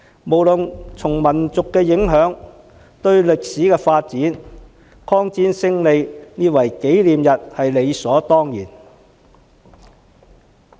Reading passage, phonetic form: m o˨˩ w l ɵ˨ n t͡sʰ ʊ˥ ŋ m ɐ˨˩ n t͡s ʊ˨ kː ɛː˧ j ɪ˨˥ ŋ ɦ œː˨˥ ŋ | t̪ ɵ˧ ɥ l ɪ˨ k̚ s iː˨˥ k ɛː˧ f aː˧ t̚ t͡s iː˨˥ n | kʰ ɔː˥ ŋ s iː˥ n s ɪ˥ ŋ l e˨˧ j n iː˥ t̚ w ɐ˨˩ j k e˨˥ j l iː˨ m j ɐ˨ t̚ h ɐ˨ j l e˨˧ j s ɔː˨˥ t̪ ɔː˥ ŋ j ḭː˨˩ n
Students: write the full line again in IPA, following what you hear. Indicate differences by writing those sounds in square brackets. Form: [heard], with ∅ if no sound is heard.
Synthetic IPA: m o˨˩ w l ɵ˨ n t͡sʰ [ʊ˨˩] ŋ m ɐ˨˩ n t͡s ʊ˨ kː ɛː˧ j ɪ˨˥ ŋ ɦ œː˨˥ ŋ | t̪ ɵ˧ ɥ l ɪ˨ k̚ s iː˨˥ k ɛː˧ f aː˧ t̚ t͡s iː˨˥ n | kʰ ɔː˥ ŋ [t͡s] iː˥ n s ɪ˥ ŋ l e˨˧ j n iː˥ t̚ w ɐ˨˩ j k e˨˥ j l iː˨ m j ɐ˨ t̚ h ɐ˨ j l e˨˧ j s ɔː˨˥ t̪ ɔː˥ ŋ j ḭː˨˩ n

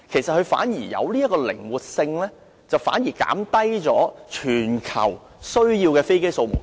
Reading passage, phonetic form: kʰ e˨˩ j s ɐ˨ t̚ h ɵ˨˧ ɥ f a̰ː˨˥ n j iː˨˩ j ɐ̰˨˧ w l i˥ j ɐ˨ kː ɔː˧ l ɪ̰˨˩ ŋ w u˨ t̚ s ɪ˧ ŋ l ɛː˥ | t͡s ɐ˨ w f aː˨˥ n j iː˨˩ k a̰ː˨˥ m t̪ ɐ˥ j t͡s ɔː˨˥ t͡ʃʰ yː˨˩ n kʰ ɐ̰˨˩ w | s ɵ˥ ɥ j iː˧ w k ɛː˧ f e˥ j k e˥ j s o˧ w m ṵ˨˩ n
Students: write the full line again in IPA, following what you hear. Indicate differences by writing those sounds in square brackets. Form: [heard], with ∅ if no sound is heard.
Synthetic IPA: kʰ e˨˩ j s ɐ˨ t̚ h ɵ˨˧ ɥ f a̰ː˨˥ n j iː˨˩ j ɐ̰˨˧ w l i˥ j [ɐ˥] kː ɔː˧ l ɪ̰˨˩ ŋ w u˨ t̚ s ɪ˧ ŋ l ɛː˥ | t͡s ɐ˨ w f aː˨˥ n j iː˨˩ k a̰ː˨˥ m t̪ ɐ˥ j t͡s ɔː˨˥ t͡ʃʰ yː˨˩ n kʰ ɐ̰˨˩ w | s ɵ˥ ɥ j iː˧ w k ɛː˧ f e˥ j k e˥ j s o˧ w m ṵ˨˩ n

